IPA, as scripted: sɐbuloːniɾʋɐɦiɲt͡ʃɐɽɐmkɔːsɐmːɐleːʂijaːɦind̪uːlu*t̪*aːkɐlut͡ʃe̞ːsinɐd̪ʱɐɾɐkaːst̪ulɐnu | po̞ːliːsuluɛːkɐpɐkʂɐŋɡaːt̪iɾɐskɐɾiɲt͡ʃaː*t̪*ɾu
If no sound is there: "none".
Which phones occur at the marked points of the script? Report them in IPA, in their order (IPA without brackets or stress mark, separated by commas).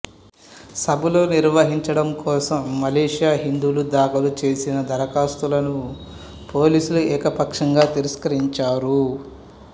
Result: d̪, none